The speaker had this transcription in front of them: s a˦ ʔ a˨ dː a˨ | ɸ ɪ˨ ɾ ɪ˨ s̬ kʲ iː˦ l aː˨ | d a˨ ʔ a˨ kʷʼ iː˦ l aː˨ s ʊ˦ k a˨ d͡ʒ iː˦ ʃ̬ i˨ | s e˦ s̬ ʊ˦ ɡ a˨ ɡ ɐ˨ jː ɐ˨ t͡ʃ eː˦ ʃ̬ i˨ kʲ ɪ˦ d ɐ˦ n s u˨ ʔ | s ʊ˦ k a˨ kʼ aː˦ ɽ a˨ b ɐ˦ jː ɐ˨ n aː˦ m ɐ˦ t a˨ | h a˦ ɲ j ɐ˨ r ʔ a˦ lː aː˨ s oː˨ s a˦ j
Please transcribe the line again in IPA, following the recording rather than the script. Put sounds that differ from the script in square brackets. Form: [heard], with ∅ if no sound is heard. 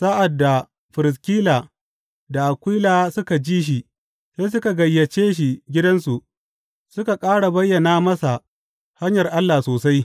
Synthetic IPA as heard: s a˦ ʔ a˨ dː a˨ | ɸ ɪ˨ ɾ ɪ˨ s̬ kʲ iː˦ l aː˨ | d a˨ ʔ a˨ [kʷ] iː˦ l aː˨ s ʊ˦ k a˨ d͡ʒ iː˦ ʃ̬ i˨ | s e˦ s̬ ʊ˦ [k] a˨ ɡ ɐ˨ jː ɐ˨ t͡ʃ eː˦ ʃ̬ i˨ [ɡʲ] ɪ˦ d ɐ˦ n s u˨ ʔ | s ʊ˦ k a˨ kʼ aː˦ ɽ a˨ b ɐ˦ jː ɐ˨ n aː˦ m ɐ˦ [s] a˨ | h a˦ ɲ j ɐ˨ r ʔ a˦ lː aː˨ s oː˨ s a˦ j

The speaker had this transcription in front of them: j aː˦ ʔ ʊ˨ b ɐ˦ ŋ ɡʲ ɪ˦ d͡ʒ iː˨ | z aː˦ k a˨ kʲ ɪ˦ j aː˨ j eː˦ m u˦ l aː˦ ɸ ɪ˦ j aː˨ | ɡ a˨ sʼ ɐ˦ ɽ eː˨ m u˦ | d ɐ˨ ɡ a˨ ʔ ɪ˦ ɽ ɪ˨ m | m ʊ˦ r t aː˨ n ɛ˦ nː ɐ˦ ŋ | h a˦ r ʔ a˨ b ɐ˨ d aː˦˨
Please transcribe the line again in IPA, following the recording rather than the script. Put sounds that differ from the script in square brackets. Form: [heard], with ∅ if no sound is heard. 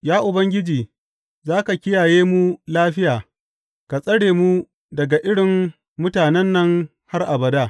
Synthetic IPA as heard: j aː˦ ʔ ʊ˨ b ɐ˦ ŋ ɡʲ ɪ˦ d͡ʒ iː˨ | z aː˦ k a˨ kʲ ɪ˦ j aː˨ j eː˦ m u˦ l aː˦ ɸ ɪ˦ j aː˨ | [k] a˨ sʼ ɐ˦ ɽ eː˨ m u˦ | d ɐ˨ ɡ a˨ ʔ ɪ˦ ɽ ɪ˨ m | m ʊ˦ [∅] t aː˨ n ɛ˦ nː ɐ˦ ŋ | h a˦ r ʔ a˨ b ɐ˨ d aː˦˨

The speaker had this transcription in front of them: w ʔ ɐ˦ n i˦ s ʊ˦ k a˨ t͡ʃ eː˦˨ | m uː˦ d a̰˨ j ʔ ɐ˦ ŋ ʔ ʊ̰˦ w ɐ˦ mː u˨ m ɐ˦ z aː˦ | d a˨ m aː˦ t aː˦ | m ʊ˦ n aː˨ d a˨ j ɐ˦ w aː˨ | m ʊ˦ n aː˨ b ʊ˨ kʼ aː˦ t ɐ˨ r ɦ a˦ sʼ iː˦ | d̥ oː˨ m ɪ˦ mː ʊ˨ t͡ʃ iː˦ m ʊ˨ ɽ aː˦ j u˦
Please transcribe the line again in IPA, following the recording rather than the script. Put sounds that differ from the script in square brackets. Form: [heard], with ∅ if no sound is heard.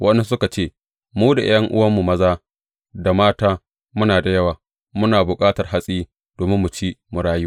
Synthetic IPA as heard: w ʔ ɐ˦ n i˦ s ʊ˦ k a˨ t͡ʃ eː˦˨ | m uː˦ d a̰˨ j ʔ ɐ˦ ŋ ʔ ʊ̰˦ w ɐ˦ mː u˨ m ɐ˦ z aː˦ | d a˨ m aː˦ t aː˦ | m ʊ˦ n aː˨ d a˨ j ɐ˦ w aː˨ | m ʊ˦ n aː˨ b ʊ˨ kʼ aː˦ t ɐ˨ r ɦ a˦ sʼ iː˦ | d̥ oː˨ m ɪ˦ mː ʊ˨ t͡ʃ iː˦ m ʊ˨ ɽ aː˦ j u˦

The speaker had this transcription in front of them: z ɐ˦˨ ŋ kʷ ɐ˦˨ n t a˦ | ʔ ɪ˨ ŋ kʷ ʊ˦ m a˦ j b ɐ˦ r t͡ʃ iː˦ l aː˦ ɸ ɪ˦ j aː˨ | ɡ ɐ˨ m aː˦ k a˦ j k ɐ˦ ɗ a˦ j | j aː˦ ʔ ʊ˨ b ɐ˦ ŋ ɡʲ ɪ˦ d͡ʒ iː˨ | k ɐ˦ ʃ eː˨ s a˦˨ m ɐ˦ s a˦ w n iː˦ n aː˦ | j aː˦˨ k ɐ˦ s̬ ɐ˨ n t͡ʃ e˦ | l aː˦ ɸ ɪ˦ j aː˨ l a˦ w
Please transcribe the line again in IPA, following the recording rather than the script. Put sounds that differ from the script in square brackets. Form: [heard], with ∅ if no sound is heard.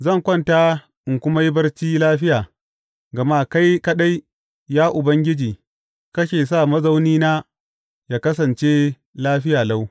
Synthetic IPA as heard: z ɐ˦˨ ŋ kʷ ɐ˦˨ n t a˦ | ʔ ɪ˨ ŋ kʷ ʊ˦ m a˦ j b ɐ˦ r t͡ʃ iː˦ l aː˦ ɸ ɪ˦ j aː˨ | ɡ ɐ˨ m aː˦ k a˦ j k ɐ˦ ɗ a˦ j | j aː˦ ʔ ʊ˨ b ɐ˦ ŋ ɡʲ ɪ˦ d͡ʒ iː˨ | k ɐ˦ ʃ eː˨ s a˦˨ m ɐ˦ [z] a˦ w n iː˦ n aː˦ | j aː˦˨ k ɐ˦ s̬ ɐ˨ n t͡ʃ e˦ | l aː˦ ɸ ɪ˦ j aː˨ l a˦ w

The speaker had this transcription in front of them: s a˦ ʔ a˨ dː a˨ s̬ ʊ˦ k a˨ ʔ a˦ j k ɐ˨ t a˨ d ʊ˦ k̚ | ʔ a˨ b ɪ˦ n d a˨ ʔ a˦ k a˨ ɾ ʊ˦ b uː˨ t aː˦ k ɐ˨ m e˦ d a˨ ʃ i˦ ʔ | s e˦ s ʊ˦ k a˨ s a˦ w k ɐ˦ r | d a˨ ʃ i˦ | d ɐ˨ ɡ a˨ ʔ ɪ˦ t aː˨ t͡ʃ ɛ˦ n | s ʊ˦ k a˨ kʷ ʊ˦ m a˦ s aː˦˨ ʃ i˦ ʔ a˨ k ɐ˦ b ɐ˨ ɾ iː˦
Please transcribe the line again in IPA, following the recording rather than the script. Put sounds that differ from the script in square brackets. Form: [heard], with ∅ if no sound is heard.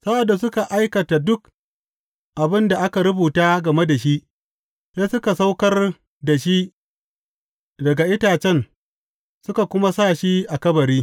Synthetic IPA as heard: s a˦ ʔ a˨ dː a˨ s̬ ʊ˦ k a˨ ʔ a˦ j k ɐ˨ t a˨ d ʊ˦ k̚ | ʔ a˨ b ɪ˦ n d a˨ ʔ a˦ k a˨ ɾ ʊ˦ b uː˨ t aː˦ [ɡ] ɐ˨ m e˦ d a˨ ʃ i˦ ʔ | s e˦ s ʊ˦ k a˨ s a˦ w k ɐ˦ r | d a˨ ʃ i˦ | d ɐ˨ ɡ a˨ ʔ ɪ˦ t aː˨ t͡ʃ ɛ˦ n | s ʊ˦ k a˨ kʷ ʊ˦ m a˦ s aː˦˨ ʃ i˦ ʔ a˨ k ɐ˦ b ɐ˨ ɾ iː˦

